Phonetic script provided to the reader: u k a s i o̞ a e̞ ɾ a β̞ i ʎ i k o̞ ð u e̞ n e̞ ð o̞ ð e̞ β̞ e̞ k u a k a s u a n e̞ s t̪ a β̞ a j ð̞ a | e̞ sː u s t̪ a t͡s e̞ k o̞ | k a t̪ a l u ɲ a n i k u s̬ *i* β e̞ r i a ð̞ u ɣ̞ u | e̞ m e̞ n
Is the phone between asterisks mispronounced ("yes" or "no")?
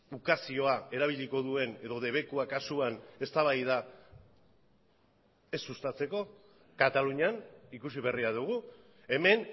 no